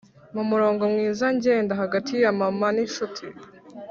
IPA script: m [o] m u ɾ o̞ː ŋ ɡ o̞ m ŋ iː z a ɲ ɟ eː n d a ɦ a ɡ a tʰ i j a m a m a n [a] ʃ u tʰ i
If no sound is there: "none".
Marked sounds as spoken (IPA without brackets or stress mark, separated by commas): u, i